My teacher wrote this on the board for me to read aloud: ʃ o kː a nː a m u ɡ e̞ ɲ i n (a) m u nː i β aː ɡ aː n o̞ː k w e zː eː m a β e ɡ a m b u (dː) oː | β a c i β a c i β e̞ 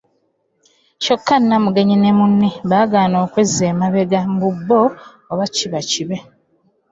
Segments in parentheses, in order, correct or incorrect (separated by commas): incorrect, incorrect